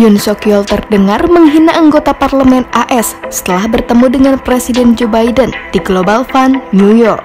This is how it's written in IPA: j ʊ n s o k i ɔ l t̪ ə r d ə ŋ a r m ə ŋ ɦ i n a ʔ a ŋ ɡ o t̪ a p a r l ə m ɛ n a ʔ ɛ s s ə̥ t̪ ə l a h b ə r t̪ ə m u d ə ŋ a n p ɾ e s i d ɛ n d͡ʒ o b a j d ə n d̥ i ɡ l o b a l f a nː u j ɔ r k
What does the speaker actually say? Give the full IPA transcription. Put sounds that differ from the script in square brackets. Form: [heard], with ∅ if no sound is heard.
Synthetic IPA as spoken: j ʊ n s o k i ɔ l t̪ ə r d ə ŋ a r m ə ŋ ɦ i n a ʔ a ŋ ɡ o t̪ a p a r l ə m ɛ n a ʔ ɛ s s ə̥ t̪ ə l a h b ə r t̪ ə m u d ə ŋ a n p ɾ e s i d ɛ n d͡ʒ o b a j d ə n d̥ i ɡ l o b a l f a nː u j ɔ r k